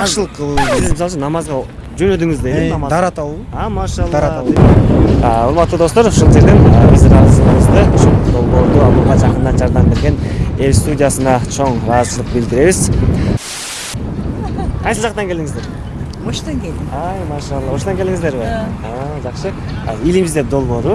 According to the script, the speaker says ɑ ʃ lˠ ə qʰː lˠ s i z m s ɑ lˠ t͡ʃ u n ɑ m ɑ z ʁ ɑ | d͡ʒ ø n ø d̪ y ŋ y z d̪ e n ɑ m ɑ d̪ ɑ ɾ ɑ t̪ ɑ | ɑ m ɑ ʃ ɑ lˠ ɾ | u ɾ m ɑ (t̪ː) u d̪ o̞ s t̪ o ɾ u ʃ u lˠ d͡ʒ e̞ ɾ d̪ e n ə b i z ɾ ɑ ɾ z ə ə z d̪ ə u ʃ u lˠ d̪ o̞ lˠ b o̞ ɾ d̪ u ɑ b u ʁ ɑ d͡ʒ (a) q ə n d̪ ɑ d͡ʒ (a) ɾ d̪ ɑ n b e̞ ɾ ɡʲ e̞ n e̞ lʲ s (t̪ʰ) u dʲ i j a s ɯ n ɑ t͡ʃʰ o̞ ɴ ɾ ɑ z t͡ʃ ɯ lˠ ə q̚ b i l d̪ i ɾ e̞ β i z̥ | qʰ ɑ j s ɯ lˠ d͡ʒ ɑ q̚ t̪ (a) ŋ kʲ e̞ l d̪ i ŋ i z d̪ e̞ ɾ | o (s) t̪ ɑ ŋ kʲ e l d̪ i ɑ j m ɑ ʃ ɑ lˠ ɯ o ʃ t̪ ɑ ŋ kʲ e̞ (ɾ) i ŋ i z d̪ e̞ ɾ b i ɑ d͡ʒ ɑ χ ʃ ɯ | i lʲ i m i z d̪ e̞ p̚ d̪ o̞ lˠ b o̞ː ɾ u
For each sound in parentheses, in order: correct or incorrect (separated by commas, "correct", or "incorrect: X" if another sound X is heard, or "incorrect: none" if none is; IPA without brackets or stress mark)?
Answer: correct, incorrect: ɑ, incorrect: ɑ, incorrect: t̪, incorrect: ɑ, incorrect: ʃ, incorrect: l